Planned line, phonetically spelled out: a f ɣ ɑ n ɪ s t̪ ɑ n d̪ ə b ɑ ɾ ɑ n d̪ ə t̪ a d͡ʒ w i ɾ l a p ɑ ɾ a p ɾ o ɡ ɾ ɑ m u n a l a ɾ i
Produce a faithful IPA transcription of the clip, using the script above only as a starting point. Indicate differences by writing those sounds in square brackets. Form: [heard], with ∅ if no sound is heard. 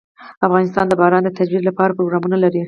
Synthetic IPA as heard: a f ɣ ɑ n ɪ s t̪ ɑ n d̪ ə b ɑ ɾ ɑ n d̪ ə t̪ a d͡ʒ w i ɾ l a p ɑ ɾ a p ɾ o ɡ ɾ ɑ m u n a l a ɾ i